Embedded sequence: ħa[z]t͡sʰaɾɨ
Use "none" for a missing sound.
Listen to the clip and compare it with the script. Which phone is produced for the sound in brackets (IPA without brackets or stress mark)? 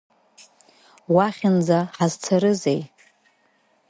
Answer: z